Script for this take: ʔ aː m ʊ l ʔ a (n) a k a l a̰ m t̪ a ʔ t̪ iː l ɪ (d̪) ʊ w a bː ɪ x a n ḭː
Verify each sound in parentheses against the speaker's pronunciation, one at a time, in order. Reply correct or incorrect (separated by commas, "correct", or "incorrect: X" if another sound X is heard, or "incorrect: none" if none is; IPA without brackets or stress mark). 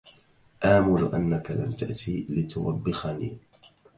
incorrect: nː, incorrect: t̪